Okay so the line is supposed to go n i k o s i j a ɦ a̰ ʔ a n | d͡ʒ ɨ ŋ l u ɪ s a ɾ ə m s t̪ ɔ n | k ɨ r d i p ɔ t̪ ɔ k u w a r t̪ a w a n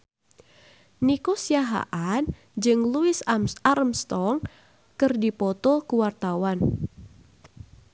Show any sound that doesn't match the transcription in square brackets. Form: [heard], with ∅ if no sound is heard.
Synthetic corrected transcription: n i k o s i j a ɦ a̰ ʔ a n | d͡ʒ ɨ ŋ l u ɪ s a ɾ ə m s t̪ ɔ [ŋ] | k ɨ r d i p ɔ t̪ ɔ k u w a r t̪ a w a n